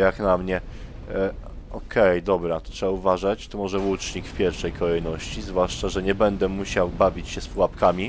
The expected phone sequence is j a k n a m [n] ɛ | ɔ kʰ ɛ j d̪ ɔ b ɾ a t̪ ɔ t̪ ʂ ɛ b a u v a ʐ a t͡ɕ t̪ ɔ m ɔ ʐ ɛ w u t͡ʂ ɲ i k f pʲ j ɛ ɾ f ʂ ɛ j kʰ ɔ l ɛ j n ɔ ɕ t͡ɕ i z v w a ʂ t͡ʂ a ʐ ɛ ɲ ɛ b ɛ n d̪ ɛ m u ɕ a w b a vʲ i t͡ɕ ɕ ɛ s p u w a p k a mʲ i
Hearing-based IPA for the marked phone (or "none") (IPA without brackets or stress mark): ɲ